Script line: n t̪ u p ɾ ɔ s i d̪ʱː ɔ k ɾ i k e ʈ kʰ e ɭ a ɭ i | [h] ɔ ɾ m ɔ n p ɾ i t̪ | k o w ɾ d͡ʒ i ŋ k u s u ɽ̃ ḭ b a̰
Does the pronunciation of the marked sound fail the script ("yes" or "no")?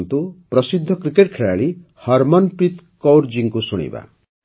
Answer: no